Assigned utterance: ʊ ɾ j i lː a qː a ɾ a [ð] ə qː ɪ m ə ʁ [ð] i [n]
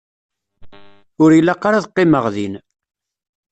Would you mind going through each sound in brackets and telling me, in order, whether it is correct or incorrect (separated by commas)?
correct, correct, correct